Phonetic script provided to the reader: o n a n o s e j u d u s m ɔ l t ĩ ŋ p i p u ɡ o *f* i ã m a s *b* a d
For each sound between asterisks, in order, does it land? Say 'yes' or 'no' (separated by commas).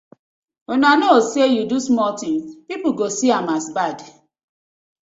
no, yes